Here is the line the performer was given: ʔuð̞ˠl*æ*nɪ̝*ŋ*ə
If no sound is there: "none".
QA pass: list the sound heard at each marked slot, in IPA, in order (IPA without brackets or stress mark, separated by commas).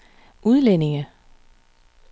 e, ŋ